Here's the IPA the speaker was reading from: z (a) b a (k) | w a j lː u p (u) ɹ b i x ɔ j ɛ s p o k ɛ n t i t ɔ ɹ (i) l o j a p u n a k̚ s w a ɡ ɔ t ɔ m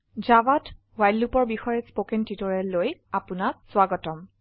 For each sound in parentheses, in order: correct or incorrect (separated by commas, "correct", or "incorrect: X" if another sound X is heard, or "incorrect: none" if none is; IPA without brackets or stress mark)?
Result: correct, incorrect: t, incorrect: ɔ, incorrect: ɛ